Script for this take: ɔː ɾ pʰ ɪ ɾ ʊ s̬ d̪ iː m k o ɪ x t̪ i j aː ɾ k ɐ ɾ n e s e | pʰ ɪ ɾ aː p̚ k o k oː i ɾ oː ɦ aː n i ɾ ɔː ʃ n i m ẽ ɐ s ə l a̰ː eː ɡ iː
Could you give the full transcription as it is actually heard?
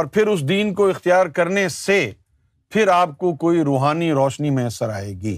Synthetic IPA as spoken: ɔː ɾ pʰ ɪ ɾ ʊ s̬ d̪ iː n k o ɪ x t̪ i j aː ɾ k ɐ ɾ n e s e | pʰ ɪ ɾ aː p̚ k o k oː i ɾ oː ɦ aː n i ɾ ɔː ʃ n i m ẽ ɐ s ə ɾ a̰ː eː ɡ iː